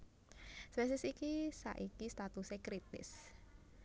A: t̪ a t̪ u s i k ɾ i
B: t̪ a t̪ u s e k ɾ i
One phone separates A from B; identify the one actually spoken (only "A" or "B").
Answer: B